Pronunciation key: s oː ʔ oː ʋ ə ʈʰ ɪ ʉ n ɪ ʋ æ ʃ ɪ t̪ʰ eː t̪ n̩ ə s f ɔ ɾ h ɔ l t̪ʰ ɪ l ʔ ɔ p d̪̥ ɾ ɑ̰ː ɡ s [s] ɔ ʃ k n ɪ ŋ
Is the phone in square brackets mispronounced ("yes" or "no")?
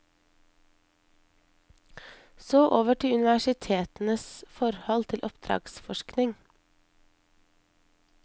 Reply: yes